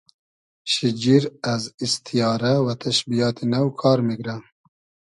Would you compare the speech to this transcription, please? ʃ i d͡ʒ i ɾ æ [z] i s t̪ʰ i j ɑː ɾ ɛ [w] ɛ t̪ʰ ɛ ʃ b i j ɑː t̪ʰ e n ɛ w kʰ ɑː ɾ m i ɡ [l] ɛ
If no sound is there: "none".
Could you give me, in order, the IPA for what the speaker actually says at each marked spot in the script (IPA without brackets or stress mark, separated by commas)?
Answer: z, w, ɾ